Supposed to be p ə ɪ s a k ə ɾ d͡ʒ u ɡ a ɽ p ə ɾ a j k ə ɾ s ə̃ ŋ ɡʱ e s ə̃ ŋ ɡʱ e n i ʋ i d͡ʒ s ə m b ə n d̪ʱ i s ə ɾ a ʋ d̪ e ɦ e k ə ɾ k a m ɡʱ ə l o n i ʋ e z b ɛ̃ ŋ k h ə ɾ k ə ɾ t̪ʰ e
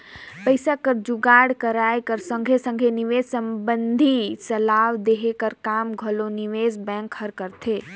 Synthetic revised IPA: p ə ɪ s a k ə ɾ d͡ʒ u ɡ a ɽ k ə ɾ a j k ə ɾ s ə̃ ŋ ɡʱ e s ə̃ ŋ ɡʱ e n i ʋ e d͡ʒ s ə m b ə n d̪ʱ i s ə l a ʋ d̪ e ɦ e k ə ɾ k a m ɡʱ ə l o n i ʋ e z b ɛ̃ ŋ k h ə ɾ k ə ɾ t̪ʰ e